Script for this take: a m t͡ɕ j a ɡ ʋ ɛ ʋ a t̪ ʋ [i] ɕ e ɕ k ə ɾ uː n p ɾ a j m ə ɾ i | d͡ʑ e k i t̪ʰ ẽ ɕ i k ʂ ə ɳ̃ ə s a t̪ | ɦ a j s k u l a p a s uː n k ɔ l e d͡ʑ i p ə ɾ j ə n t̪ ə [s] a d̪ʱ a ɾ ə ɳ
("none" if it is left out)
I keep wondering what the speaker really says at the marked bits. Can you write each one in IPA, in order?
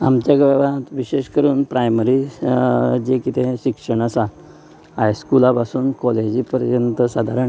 i, s

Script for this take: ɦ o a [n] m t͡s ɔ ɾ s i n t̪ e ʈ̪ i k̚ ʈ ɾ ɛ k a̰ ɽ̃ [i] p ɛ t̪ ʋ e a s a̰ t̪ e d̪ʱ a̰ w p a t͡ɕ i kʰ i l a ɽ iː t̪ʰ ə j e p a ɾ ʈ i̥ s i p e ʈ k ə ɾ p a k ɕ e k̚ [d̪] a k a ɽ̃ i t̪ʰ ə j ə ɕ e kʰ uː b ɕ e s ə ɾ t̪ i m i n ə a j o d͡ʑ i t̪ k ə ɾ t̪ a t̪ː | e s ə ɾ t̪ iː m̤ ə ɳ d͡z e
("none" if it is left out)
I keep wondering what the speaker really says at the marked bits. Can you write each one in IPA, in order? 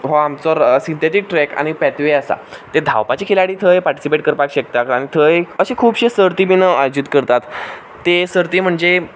none, i, t̪

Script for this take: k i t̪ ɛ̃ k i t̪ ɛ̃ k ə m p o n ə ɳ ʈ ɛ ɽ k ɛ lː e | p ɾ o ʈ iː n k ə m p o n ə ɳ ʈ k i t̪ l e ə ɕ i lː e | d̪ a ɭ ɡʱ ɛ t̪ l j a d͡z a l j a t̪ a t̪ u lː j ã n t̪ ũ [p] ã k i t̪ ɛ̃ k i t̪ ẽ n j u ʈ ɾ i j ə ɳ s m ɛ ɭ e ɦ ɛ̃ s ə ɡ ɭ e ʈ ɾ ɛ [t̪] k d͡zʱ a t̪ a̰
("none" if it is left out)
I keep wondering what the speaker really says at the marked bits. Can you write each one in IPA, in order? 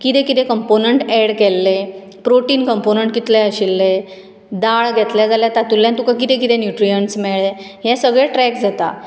k, none

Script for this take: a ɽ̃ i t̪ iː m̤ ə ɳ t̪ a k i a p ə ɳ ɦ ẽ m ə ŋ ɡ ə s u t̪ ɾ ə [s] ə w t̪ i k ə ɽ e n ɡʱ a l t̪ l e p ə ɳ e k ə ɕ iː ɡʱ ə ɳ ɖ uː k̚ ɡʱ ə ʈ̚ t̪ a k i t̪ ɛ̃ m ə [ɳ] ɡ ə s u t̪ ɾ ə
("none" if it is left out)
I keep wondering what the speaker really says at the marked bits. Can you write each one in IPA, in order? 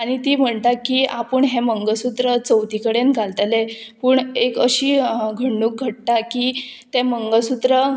t͡s, ŋ

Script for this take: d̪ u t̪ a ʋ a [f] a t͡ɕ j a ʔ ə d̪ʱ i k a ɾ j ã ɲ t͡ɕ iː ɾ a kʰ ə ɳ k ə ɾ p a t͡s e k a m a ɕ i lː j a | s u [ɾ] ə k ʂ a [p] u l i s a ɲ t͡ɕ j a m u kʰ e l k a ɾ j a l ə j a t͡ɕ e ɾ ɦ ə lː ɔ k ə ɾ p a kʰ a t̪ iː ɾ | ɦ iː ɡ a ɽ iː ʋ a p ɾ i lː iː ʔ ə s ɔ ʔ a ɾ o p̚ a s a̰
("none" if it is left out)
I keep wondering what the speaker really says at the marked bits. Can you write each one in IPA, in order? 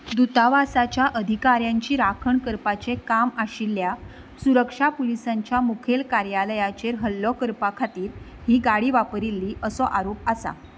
s, ɾ, p

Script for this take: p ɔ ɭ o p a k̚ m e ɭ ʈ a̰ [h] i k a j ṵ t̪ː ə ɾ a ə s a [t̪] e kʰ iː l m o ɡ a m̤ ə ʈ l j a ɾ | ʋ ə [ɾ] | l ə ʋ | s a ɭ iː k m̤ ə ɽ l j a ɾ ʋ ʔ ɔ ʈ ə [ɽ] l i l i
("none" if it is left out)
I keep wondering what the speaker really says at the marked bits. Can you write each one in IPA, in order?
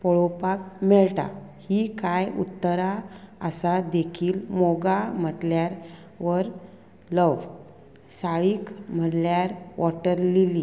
h, d̪, ɾ, ɾ

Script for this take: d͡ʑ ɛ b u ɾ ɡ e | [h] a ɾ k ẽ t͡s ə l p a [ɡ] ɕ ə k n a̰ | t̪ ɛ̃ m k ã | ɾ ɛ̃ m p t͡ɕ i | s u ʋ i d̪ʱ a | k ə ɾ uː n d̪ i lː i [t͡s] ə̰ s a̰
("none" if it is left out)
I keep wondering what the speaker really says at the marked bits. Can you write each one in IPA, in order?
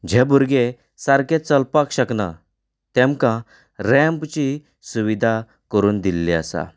s, k, none

